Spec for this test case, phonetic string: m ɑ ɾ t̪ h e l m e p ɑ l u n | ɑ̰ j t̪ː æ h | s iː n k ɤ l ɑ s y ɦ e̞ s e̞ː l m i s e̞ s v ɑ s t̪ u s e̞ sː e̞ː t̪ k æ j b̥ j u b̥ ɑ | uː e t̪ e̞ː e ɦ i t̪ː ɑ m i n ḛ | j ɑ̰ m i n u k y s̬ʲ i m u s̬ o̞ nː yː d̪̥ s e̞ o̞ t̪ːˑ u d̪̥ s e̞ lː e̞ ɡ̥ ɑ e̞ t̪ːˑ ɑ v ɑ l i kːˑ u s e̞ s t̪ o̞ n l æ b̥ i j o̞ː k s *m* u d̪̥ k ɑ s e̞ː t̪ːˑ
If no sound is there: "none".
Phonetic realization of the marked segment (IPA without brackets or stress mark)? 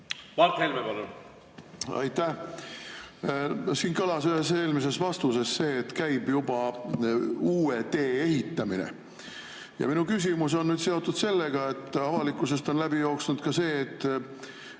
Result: n